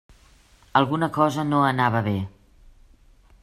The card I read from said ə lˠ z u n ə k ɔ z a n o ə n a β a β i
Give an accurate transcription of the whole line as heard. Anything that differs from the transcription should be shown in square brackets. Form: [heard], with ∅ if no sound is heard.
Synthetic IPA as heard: ə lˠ [ɣ] u n ə k ɔ z [ə] n o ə n a β [ə] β [e]